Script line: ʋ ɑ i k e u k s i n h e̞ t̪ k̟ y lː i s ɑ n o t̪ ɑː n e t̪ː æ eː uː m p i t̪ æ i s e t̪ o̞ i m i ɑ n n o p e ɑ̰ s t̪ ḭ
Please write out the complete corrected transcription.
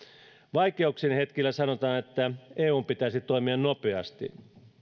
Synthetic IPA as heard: ʋ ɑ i k e u k s i n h e̞ t̪ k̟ i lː æ s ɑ n o t̪ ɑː n e t̪ː æ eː uː m p i t̪ æ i s i t̪ o̞ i m i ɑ n n o p e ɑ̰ s t̪ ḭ